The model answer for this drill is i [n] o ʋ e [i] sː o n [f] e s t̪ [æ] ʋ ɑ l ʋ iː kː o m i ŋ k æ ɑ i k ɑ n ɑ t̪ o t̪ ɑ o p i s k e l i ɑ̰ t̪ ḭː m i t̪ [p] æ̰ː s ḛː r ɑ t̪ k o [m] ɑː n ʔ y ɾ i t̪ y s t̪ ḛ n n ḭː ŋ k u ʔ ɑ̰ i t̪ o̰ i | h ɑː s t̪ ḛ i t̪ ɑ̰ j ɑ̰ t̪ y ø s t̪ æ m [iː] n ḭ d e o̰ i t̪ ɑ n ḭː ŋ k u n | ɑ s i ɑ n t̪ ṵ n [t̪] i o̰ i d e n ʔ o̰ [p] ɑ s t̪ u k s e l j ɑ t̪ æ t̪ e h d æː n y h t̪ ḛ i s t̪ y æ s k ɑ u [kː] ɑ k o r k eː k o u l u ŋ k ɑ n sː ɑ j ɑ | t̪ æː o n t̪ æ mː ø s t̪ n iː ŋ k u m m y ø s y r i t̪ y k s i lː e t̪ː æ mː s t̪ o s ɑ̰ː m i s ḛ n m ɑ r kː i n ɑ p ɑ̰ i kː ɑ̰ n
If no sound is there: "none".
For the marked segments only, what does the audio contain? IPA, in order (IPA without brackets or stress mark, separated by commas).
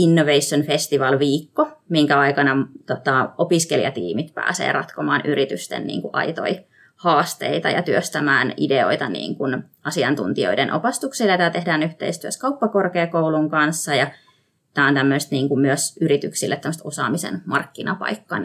nː, i, f, i, p, m, æː, t̪, p, pː